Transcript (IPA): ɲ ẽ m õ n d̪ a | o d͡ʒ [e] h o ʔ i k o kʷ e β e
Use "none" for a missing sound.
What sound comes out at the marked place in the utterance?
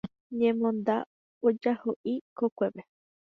a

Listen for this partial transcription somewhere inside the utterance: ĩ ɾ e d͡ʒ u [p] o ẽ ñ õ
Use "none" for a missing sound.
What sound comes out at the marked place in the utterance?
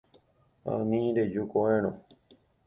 k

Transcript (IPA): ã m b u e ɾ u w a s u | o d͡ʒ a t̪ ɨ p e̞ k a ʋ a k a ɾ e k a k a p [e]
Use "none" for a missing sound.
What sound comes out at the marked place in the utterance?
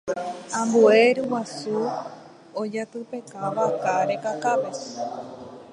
e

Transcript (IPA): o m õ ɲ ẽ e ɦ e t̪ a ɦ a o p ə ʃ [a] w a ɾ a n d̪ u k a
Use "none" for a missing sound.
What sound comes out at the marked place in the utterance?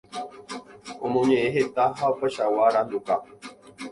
a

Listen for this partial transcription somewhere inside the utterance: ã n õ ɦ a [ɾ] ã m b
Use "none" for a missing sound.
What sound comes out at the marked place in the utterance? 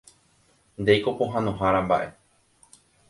ɾ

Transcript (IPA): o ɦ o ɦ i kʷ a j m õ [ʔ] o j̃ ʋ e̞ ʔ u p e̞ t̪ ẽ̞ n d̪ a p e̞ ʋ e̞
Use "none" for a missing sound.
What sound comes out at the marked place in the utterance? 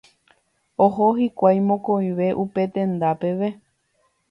k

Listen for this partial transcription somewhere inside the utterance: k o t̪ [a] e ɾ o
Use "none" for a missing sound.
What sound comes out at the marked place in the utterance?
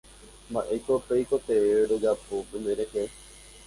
e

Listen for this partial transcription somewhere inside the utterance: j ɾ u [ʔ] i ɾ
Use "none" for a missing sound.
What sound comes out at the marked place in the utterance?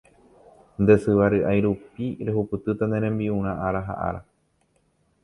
p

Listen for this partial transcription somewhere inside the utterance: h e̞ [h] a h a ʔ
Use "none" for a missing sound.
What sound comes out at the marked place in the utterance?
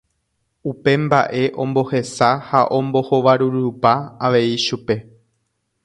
s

